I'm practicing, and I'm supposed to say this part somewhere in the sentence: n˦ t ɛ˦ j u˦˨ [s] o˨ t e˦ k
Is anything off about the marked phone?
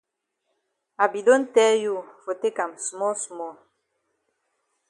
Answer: yes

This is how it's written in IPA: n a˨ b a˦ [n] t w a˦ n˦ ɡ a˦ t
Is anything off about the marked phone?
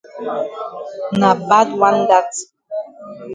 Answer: yes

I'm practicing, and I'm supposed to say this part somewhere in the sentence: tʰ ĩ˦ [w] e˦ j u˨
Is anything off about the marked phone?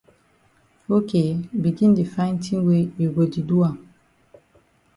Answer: no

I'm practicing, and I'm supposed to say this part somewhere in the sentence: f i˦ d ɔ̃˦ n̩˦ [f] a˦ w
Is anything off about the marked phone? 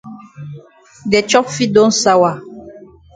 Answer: yes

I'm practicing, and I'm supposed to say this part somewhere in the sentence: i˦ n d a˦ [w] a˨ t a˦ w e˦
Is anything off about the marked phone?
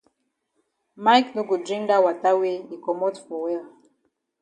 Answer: no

